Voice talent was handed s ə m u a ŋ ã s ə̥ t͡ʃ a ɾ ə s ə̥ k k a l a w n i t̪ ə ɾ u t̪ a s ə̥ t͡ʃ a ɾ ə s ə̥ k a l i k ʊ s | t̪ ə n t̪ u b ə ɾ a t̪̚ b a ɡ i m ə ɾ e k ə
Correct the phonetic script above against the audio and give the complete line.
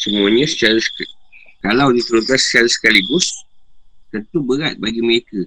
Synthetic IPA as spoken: s ə m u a ɲ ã s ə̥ t͡ʃ a ɾ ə s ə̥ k k a l a w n i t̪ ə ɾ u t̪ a s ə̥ t͡ʃ a ɾ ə s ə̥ k a l i ɡ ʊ s | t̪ ə n t̪ u b ə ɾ a t̪̚ b a ɡ i m ə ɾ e k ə